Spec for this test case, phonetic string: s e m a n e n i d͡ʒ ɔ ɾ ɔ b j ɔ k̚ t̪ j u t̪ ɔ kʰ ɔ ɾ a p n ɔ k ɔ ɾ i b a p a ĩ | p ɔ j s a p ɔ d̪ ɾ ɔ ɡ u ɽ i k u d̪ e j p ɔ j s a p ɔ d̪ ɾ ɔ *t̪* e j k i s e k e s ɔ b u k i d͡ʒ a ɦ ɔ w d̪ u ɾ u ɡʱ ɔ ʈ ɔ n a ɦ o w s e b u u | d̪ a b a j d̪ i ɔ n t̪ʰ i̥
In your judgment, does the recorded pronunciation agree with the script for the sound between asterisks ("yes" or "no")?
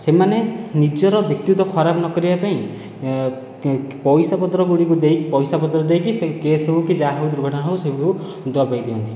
no